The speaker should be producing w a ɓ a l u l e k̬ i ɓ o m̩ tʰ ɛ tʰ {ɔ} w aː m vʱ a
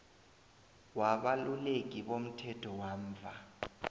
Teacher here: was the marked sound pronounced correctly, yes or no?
yes